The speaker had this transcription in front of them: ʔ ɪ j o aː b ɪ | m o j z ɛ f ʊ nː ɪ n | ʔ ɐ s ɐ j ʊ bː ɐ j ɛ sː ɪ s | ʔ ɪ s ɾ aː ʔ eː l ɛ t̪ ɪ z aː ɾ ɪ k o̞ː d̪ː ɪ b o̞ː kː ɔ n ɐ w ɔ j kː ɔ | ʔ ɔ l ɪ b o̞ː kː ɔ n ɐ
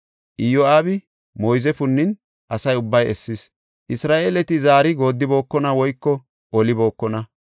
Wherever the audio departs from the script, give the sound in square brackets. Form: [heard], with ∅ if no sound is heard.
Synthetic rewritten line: ʔ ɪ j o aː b ɪ | m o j z ɛ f ʊ nː ɪ n | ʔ ɐ s ɐ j ʊ bː ɐ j ɛ sː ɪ s | ʔ ɪ s ɾ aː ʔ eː l ɛ t̪ ɪ z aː ɾ ɪ [ɡ] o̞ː d̪ː ɪ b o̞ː kː ɔ n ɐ w ɔ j kː ɔ | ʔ ɔ l ɪ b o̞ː kː ɔ n ɐ